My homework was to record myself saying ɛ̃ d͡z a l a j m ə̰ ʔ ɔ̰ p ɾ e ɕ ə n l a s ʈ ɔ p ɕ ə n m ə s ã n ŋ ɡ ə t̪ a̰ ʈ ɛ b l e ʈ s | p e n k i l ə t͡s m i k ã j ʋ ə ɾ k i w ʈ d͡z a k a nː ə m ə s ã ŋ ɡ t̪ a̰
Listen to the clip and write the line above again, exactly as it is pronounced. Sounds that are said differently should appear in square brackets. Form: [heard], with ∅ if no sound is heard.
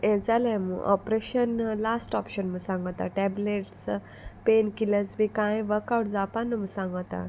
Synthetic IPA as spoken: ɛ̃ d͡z a l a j m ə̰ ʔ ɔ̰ p ɾ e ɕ ə n l a s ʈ ɔ p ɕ ə n m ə s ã [∅] ŋ ɡ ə t̪ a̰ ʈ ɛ b l e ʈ s | p e n k i l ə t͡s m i k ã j ʋ ə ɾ k [a] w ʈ d͡z a [p] a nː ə m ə s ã ŋ ɡ t̪ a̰